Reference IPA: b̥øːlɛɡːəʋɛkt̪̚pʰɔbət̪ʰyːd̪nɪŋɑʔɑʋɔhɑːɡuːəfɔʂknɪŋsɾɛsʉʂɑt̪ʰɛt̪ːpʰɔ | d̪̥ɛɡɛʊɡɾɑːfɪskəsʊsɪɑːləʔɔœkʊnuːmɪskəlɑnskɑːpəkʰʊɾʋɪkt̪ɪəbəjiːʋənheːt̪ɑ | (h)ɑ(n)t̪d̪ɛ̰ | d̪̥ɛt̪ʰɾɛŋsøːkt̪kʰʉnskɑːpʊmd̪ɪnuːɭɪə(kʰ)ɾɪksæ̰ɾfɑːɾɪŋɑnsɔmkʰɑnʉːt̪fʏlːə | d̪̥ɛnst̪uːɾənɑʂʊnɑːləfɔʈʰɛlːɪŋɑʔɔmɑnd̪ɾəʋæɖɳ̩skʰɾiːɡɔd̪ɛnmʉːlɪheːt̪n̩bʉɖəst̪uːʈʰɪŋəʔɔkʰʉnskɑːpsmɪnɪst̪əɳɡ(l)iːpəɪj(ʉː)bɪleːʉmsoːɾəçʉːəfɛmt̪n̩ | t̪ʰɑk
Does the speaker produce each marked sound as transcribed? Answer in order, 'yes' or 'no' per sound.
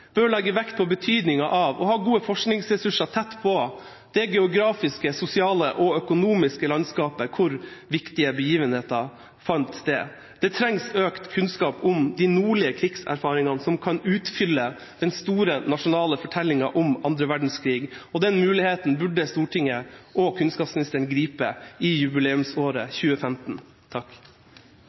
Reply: no, yes, yes, no, no

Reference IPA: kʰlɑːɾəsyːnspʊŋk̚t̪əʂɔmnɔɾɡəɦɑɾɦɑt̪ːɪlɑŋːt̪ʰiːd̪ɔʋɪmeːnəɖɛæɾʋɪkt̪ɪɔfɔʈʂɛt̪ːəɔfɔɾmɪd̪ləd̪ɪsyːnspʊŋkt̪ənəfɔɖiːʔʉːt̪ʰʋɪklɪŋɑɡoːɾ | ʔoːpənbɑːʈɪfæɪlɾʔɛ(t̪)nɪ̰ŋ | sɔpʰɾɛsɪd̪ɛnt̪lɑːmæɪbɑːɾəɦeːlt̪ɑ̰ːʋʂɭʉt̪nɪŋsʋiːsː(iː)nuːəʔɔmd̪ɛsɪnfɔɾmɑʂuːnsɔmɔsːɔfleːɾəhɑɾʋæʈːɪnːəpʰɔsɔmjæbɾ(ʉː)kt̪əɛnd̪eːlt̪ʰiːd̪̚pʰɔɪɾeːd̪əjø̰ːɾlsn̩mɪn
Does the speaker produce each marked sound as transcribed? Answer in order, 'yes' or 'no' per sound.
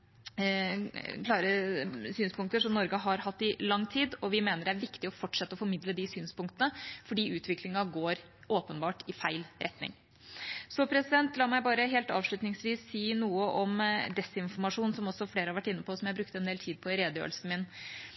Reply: yes, yes, no

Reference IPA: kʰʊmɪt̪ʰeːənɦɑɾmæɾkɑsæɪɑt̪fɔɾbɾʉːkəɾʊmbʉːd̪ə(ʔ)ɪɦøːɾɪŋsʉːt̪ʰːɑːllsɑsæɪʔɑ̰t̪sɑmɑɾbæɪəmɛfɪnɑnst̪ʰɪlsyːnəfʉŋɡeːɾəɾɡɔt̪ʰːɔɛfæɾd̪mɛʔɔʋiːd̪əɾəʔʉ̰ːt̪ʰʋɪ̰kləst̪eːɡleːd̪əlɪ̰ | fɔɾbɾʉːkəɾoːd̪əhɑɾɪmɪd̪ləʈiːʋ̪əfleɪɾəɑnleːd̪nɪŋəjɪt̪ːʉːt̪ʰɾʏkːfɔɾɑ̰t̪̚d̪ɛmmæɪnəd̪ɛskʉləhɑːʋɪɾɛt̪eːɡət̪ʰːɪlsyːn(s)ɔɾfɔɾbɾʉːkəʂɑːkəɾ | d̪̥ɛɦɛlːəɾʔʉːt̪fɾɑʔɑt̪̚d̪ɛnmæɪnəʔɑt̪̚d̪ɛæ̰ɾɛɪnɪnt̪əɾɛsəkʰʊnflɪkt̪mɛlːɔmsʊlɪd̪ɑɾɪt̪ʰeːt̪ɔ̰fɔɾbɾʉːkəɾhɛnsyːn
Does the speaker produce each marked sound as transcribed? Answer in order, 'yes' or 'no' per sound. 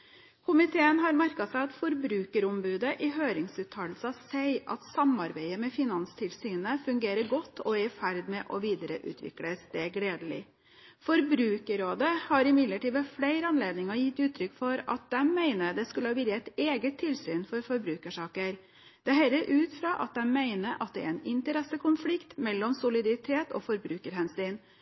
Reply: yes, no

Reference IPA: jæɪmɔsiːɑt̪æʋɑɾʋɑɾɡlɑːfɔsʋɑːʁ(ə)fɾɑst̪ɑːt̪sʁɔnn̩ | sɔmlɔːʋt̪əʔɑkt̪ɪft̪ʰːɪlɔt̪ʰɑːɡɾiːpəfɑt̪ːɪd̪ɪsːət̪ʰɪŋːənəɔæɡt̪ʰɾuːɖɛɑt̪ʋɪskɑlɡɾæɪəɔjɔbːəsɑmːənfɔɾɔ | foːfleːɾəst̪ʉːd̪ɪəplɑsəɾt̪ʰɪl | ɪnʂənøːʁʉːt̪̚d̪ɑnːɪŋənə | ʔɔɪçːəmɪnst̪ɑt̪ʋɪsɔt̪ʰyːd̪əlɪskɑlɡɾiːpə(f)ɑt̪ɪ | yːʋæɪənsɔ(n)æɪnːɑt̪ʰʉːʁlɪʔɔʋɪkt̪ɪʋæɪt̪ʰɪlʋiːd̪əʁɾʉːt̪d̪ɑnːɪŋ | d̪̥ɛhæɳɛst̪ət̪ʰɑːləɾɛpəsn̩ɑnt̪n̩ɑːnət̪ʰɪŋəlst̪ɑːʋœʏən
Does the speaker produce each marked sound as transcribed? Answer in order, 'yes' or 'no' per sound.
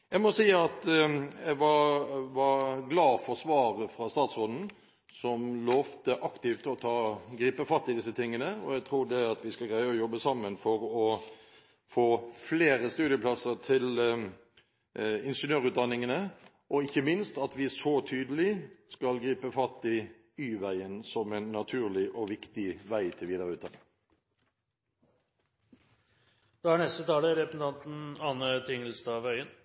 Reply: yes, yes, no

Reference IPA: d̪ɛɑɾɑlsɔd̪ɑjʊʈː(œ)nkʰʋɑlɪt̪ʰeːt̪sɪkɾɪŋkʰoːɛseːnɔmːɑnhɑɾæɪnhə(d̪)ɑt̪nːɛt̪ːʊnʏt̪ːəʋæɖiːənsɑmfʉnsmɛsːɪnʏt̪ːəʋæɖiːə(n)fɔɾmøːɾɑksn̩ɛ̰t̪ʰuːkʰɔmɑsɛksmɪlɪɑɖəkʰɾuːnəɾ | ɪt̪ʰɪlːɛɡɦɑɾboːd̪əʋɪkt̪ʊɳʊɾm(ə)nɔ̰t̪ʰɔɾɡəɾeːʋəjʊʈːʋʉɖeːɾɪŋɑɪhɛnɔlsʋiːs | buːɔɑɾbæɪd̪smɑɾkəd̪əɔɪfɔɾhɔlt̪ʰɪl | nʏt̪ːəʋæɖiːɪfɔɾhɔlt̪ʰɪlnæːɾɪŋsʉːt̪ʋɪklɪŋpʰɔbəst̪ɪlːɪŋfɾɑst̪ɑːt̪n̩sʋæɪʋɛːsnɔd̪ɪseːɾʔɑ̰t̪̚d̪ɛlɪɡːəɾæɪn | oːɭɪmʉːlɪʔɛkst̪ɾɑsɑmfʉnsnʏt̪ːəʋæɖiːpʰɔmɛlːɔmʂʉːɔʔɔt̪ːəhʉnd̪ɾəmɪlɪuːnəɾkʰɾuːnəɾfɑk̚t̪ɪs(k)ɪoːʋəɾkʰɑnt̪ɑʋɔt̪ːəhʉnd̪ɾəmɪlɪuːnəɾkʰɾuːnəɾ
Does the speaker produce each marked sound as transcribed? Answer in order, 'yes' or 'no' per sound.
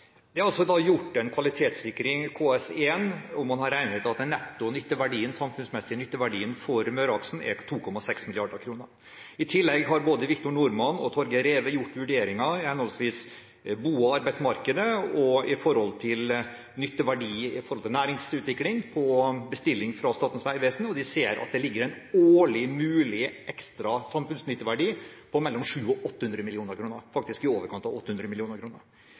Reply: no, no, yes, no, yes

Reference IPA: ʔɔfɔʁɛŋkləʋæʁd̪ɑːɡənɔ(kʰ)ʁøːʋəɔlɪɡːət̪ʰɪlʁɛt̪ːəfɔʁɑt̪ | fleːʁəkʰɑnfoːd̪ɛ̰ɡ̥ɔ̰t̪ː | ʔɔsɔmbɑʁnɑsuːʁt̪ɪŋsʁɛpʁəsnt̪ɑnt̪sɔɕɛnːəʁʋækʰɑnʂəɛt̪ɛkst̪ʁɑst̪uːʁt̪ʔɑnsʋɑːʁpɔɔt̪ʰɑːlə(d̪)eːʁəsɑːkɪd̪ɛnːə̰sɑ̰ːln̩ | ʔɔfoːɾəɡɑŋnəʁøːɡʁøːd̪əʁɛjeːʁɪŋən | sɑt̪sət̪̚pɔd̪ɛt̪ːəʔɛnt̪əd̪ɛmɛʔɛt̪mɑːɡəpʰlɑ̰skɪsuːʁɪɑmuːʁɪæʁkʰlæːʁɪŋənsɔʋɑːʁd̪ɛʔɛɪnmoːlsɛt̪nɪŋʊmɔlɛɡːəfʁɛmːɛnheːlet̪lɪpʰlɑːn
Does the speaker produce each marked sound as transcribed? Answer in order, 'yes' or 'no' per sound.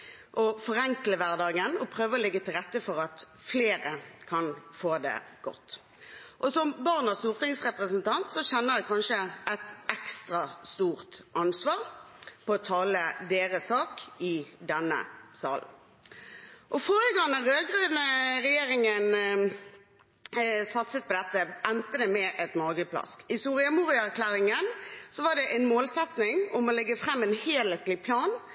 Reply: no, yes

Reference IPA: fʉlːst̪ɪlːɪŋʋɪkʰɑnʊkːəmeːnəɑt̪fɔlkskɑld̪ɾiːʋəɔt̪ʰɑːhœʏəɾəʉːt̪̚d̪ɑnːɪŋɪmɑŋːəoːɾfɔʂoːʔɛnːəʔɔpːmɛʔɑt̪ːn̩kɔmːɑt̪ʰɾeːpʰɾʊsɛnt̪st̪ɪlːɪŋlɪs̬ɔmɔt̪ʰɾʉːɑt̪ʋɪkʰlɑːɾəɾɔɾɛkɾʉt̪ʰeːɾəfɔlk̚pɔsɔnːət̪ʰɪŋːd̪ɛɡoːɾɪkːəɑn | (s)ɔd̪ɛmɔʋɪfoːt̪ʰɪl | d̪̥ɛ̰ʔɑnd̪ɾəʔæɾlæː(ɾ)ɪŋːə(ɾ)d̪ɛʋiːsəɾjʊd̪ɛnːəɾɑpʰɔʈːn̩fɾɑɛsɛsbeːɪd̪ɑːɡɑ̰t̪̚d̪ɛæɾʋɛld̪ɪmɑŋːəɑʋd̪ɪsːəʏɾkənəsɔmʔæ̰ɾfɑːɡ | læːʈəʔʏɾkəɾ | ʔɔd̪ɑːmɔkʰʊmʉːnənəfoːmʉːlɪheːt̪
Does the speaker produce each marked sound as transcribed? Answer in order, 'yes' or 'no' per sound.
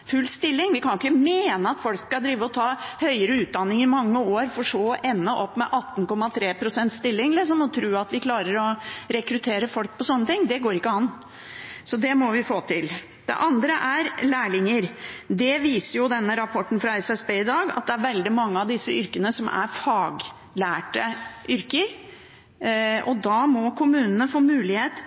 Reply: yes, no, yes

